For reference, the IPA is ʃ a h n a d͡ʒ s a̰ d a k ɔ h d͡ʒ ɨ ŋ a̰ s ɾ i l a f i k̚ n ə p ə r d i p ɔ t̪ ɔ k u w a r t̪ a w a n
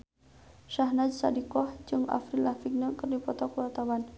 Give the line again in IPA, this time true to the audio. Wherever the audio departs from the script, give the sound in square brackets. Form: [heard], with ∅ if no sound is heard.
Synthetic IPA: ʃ a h n a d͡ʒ s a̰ d [i] k ɔ h d͡ʒ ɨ ŋ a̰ [f] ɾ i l a f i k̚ n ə [k] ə r d i p ɔ t̪ ɔ k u w a r t̪ a w a n